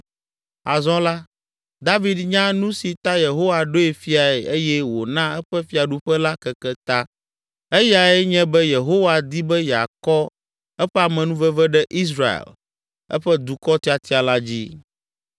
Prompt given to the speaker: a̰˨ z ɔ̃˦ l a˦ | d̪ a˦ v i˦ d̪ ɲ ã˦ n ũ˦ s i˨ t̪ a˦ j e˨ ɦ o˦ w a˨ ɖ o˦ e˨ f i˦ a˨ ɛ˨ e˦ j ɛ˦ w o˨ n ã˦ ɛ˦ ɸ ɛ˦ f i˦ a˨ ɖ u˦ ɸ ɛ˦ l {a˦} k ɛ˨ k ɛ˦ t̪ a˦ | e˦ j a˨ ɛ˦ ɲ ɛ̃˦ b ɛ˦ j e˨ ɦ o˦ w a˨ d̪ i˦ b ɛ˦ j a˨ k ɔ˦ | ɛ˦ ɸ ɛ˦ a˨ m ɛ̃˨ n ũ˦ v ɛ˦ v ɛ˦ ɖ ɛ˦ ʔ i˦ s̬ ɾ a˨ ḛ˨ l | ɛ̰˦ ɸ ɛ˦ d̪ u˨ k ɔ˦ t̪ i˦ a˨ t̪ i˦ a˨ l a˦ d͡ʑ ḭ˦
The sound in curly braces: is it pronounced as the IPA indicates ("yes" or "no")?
yes